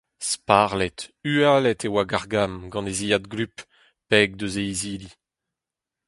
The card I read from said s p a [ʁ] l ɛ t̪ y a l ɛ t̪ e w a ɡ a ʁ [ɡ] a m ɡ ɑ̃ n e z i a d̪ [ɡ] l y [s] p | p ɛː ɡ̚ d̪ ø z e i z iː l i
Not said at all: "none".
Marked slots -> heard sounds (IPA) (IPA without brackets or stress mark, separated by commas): ʁ, ɡ, ɡ, none